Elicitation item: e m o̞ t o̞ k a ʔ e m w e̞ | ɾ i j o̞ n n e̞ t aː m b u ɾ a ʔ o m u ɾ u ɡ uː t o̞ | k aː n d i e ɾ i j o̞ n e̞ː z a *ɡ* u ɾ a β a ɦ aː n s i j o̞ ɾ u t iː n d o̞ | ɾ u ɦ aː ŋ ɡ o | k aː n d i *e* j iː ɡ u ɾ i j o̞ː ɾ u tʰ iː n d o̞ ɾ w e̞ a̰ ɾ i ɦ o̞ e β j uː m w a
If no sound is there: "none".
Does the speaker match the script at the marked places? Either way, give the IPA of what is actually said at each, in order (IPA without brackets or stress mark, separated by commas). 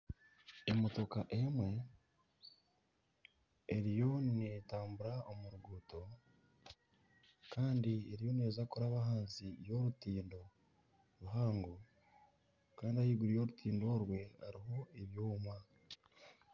k, a